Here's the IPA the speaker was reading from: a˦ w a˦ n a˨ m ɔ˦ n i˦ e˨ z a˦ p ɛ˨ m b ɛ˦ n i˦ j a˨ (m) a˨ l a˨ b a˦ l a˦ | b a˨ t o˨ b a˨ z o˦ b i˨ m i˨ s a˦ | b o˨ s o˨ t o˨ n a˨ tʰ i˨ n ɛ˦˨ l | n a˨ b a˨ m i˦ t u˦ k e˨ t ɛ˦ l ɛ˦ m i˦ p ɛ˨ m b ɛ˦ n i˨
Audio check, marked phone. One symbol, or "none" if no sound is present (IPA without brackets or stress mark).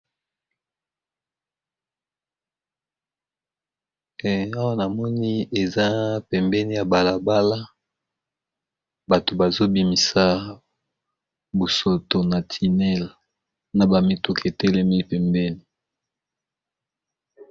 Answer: b